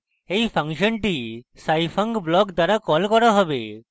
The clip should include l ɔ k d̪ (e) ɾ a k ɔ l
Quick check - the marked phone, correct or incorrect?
incorrect